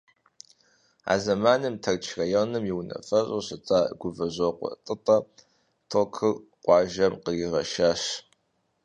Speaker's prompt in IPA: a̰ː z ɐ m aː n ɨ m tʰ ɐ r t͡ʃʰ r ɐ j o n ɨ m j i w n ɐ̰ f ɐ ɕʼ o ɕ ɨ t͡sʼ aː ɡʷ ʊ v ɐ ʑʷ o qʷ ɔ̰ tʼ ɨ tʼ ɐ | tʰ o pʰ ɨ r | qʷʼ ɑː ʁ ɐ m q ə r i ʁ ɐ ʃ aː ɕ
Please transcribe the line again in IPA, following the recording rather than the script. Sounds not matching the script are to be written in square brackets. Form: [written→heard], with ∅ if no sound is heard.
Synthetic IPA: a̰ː z ɐ m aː n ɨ m tʰ ɐ r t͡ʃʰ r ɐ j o n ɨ m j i w n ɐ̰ f ɐ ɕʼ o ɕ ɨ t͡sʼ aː ɡʷ ʊ v ɐ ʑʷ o qʷ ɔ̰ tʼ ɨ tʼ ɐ | tʰ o [pʰ→kʰ] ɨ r | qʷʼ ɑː [ʁ→ʒ] ɐ m q ə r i ʁ ɐ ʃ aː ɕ